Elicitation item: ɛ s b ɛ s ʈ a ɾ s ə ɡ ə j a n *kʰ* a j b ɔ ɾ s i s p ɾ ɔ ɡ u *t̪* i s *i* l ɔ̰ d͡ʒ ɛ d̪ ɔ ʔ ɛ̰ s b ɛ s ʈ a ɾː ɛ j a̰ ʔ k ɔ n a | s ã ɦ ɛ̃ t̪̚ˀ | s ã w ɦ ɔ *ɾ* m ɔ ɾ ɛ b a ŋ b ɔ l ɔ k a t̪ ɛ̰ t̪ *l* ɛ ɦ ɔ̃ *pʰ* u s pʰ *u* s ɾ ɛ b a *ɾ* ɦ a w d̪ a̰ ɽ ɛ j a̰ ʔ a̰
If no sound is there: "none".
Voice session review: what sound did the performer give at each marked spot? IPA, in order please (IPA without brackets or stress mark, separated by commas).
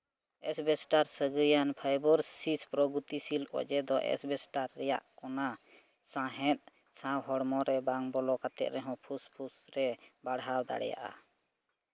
pʰ, t̪, i, ɽ, ɾ, pʰ, u, ɽ